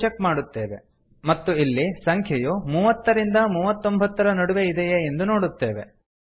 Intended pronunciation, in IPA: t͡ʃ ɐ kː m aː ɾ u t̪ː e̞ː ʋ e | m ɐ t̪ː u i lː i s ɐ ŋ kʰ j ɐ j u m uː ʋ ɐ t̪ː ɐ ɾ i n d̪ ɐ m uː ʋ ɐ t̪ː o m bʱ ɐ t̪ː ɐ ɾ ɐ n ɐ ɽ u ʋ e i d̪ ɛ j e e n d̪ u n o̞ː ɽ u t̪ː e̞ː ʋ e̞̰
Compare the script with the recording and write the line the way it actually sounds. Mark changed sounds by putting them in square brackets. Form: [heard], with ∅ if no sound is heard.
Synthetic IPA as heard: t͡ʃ ɐ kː m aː [ɽ] u t̪ː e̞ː ʋ e | m ɐ t̪ː u i lː i s ɐ ŋ kʰ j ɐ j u m uː ʋ ɐ t̪ː ɐ ɾ i n d̪ ɐ m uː ʋ ɐ t̪ː o m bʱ ɐ t̪ː ɐ ɾ ɐ n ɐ ɽ u ʋ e i d̪ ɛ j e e n d̪ u n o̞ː ɽ u t̪ː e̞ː ʋ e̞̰